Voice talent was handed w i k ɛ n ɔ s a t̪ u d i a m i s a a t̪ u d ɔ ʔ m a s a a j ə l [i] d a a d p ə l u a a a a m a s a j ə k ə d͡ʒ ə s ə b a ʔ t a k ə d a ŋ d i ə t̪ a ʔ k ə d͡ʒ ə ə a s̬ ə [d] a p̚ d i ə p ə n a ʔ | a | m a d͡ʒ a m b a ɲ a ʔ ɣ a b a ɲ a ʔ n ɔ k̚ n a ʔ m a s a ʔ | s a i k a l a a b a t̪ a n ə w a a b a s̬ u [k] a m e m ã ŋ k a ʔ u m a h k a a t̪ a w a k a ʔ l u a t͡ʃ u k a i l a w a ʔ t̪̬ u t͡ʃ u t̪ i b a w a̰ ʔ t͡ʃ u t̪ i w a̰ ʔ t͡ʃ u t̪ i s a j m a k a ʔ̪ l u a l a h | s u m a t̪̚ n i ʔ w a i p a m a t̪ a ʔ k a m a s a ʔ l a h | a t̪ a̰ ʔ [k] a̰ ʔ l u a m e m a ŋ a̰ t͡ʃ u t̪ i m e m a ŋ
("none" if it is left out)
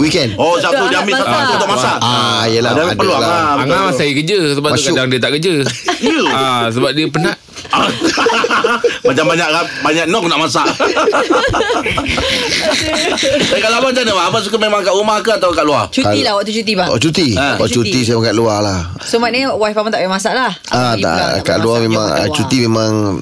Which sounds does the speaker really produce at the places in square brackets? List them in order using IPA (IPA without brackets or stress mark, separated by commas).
a, b, k, k